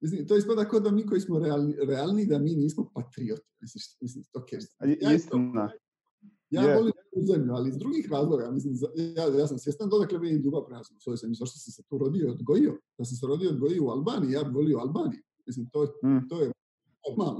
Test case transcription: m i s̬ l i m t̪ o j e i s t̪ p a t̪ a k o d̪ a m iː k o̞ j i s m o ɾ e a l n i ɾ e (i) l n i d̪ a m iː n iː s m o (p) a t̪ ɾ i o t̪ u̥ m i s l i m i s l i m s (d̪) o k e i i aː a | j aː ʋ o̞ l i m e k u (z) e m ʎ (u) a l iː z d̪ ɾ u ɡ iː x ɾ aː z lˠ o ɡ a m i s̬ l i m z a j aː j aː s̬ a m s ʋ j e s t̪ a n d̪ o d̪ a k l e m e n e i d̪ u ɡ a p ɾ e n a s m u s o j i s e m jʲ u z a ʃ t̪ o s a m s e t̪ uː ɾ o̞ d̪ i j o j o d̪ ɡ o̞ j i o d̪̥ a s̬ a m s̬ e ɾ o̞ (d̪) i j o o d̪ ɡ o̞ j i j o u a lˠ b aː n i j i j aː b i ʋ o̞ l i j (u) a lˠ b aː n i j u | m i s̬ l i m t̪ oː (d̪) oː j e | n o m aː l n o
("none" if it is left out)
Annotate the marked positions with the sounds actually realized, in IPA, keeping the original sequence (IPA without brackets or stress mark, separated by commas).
a, p, t̪, z, u, d̪, o, t̪